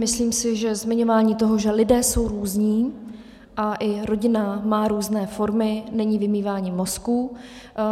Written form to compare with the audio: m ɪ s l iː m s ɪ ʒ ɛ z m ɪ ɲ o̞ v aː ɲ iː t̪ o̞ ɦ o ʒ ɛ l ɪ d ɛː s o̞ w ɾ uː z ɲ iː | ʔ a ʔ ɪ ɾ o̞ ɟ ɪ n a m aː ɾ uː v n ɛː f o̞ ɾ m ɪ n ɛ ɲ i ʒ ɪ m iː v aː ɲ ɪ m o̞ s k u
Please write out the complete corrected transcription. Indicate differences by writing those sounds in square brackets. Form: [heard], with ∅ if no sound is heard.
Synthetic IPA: m ɪ s l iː m s ɪ ʒ ɛ z m ɪ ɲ o̞ v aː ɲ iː t̪ o̞ ɦ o ʒ ɛ l ɪ d ɛː s o̞ w ɾ uː z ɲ iː | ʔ a ʔ ɪ ɾ o̞ ɟ ɪ n a m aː ɾ uː [z] n ɛː f o̞ ɾ m ɪ n ɛ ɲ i [v] ɪ m iː v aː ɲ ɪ m o̞ s k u